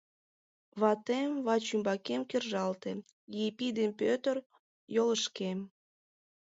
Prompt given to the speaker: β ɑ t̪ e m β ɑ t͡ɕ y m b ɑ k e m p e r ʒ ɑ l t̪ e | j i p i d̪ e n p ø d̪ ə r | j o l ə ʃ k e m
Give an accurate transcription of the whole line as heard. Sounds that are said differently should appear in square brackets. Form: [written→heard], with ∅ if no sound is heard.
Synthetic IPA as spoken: β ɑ t̪ e m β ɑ t͡ɕ y m b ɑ k e m [p→k] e r ʒ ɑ l t̪ e | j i p i d̪ e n p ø [d̪→t̪] ə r | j o l ə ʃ k e m